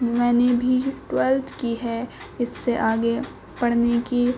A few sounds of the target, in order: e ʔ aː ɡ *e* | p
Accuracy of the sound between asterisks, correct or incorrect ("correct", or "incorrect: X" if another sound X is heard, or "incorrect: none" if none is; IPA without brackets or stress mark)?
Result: correct